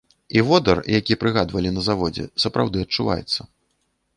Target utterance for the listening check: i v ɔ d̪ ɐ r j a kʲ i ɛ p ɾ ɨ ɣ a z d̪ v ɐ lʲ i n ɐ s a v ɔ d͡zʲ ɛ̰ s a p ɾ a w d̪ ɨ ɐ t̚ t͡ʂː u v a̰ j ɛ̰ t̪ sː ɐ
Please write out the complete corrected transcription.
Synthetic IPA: i v ɔ d̪ ɐ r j a kʲ i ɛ p ɾ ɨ ɣ a d̪ v ɐ lʲ i n ɐ z a v ɔ d͡zʲ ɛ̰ s ɐ p ɾ a w d̪ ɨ ɐ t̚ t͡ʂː u v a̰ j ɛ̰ t̪ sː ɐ